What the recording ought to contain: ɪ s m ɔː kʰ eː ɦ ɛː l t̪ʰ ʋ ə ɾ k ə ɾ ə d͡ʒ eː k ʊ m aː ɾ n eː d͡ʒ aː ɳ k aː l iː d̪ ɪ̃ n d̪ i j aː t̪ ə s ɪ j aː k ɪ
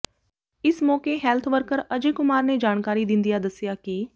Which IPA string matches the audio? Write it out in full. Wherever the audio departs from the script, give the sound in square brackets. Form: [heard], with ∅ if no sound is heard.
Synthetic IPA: ɪ s m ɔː [k] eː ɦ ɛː l t̪ʰ ʋ ə ɾ k ə ɾ ə d͡ʒ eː k ʊ m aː ɾ n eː d͡ʒ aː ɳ k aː [ɾ] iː d̪ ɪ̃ n d̪ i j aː [d̪] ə s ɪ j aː k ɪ